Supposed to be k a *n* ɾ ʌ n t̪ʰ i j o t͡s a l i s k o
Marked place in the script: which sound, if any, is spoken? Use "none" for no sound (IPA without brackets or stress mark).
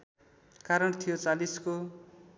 none